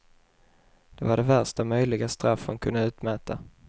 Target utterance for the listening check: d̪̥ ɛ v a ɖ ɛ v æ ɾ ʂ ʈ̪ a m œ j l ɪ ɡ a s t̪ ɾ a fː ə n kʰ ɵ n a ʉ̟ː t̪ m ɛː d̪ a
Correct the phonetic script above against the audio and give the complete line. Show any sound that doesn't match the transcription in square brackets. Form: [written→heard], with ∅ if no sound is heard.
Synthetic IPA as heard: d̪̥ ɛ v a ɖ ɛ v æ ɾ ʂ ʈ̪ a m œ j l ɪ ɡ a s t̪ ɾ a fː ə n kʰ ɵ n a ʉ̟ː t̪ m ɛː [d̪→t̪] a